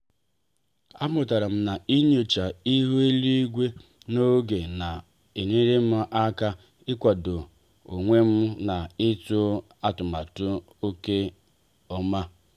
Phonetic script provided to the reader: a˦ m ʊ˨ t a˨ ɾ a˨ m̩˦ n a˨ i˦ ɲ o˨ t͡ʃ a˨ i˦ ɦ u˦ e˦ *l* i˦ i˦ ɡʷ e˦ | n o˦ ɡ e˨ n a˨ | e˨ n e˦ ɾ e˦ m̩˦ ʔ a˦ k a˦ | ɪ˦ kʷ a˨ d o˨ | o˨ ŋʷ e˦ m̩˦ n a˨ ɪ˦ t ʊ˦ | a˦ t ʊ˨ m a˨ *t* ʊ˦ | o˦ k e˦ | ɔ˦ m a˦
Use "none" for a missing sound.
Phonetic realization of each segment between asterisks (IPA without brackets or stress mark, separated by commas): l, t